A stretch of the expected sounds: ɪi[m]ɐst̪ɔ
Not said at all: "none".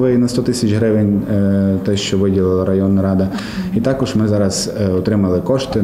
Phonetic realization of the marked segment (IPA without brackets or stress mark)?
n